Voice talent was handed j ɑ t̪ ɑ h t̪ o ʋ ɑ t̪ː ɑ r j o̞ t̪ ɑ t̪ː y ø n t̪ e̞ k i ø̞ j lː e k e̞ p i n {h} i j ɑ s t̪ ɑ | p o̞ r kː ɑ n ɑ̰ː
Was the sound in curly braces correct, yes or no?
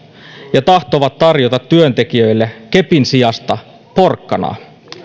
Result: no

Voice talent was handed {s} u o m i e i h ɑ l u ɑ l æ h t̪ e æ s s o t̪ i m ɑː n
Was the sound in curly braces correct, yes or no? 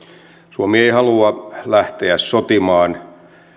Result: yes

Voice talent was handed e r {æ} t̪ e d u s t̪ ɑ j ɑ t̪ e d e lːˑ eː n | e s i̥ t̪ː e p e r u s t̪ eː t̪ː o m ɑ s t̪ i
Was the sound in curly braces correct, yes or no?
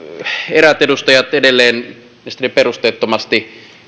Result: yes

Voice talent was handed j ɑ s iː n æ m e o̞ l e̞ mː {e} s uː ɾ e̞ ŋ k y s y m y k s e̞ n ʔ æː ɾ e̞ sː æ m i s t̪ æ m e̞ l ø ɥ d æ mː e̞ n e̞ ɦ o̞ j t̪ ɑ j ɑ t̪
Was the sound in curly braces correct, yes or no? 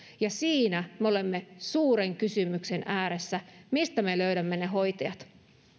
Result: yes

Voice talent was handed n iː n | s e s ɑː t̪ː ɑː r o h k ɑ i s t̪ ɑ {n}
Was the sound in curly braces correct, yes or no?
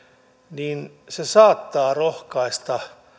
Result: no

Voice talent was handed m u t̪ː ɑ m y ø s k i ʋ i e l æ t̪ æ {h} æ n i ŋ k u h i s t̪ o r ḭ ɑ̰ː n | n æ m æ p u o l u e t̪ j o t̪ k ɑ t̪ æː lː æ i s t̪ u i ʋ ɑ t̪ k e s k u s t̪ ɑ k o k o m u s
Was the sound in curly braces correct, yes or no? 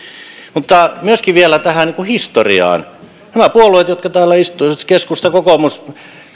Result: yes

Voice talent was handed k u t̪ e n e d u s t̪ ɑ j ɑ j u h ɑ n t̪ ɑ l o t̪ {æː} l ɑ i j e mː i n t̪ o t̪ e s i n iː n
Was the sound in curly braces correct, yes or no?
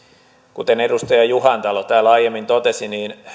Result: yes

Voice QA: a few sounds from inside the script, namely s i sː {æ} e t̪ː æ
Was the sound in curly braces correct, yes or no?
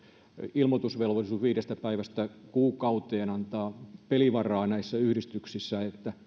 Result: yes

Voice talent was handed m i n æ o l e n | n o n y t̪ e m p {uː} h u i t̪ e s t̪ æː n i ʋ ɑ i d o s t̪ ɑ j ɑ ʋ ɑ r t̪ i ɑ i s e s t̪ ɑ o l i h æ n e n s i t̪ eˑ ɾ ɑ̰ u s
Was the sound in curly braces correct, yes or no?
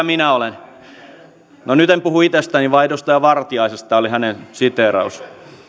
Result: no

